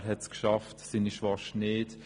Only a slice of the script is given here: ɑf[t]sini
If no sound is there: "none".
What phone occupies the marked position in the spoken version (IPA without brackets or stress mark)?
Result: t